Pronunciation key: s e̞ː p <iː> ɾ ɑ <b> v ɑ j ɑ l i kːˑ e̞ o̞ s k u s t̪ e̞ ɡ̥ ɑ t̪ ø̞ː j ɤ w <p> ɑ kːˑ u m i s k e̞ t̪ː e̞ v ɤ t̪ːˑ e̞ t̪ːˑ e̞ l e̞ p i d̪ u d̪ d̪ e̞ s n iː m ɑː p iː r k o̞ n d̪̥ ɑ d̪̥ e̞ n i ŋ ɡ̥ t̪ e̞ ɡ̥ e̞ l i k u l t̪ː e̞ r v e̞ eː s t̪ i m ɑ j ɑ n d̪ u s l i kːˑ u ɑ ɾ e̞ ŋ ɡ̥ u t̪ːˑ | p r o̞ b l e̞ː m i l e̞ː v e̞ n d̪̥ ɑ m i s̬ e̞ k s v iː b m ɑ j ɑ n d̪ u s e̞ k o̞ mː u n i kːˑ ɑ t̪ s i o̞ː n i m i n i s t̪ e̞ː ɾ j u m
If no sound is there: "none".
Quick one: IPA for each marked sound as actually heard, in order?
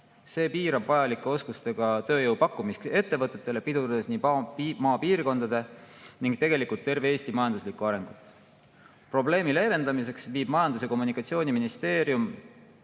iː, b, p

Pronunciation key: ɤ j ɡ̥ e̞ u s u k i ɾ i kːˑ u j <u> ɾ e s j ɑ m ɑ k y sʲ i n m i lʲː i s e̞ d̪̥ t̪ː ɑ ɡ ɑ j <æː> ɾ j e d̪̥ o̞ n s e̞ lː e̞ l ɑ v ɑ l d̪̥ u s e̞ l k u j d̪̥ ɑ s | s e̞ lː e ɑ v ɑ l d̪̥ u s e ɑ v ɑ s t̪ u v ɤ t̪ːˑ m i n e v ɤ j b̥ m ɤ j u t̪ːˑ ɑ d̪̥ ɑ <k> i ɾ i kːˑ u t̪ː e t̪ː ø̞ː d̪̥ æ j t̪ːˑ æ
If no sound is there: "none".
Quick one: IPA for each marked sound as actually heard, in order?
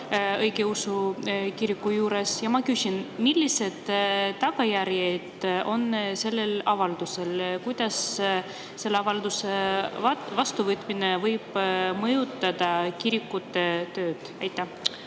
uː, æ, k

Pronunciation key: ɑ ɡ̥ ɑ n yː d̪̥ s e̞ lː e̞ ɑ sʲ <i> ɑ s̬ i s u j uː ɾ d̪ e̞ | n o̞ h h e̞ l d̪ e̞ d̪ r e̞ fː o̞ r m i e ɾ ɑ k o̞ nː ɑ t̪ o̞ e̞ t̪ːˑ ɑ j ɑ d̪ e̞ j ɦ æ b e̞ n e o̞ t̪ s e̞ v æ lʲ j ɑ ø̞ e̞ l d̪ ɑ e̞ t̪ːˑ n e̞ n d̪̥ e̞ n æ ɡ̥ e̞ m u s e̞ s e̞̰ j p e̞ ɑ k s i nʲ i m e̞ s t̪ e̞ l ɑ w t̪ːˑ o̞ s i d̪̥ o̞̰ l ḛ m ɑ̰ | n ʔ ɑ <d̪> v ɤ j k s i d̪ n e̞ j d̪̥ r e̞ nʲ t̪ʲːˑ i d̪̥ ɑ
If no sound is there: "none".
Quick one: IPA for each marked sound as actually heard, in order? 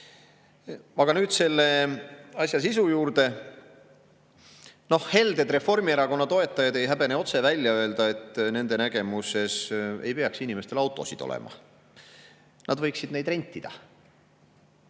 j, d̪

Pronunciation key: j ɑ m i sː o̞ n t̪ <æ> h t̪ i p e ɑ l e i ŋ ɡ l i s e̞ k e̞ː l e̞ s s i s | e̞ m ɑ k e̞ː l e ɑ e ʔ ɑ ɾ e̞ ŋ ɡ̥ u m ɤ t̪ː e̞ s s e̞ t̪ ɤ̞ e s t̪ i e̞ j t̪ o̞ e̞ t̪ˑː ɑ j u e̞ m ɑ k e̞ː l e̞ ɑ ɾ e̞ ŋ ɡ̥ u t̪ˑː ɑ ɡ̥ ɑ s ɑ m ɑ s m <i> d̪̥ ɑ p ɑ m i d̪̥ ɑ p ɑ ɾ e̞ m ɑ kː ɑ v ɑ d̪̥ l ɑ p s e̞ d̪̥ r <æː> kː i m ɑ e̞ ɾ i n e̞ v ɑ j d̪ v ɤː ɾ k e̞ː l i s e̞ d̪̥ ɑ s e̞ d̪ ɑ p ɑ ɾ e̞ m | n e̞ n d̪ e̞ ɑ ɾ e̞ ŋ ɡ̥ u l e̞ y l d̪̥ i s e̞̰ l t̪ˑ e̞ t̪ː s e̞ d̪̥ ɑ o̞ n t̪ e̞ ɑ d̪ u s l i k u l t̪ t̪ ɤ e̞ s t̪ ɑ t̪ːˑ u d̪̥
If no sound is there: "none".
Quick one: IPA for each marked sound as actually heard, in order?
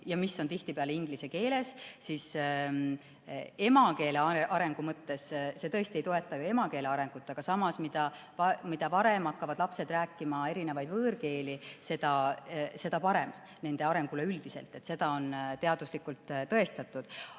i, i, æː

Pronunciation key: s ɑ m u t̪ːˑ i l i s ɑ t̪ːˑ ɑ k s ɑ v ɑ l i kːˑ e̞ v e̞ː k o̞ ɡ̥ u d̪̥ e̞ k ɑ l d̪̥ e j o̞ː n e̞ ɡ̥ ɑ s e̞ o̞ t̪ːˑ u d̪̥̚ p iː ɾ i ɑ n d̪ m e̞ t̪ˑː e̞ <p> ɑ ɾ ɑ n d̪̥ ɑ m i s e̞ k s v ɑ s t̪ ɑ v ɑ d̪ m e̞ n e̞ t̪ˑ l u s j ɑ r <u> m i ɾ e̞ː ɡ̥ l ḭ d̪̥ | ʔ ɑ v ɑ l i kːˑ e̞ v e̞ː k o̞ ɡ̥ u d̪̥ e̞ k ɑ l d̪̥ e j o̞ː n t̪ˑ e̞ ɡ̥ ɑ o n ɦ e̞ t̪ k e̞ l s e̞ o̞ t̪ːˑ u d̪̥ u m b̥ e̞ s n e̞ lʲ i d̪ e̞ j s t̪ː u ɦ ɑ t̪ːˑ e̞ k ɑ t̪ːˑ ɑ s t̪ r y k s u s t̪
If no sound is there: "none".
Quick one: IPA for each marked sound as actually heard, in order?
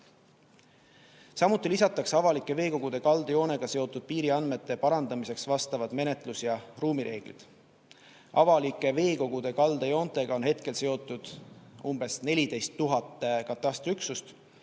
p, uː

